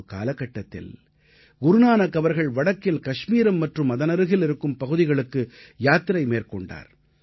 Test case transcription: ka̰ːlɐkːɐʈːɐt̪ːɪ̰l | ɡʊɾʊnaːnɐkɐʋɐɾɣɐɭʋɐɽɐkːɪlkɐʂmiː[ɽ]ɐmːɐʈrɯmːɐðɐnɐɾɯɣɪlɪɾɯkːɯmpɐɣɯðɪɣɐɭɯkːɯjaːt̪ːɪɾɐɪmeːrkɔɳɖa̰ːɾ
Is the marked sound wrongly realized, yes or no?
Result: yes